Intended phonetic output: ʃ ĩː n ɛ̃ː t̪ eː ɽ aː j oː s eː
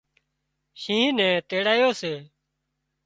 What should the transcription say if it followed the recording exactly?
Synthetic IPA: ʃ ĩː n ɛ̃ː t̪ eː ɽ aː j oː s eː